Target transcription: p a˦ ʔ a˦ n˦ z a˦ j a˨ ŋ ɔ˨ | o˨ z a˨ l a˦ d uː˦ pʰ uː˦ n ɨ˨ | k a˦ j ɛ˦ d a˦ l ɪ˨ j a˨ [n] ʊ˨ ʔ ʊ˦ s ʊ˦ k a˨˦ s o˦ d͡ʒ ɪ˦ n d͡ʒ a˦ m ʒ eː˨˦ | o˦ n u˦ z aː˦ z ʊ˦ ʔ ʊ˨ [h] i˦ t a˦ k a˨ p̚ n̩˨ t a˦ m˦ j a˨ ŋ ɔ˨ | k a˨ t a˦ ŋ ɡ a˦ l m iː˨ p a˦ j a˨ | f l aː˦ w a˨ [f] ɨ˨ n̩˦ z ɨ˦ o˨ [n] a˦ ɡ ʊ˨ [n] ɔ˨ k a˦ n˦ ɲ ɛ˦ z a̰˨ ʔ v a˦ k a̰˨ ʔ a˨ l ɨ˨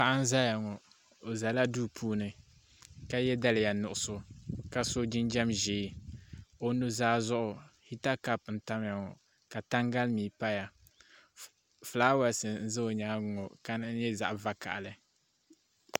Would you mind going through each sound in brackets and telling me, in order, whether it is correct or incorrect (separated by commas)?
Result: correct, correct, incorrect, incorrect, incorrect